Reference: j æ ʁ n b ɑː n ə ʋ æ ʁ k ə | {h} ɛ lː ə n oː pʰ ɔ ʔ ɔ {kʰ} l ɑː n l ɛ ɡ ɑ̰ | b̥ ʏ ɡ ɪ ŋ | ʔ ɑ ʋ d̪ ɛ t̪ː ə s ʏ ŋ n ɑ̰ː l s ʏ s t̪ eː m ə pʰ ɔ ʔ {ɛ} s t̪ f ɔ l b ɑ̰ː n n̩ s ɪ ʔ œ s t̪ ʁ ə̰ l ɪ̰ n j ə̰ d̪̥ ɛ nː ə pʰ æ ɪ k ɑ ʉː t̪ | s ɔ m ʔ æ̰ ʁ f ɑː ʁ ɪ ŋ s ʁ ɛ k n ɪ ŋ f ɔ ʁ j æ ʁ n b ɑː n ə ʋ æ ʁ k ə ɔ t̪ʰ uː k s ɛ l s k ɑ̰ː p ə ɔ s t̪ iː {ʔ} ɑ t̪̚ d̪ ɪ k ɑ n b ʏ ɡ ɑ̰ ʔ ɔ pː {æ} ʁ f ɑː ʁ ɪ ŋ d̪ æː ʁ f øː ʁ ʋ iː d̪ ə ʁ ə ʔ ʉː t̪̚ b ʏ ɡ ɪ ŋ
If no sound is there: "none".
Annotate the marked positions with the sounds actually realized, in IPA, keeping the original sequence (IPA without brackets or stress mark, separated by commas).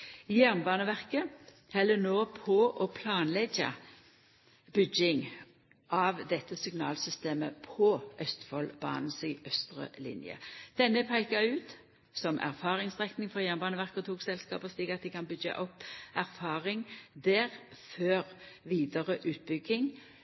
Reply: h, pʰ, œ, k, æ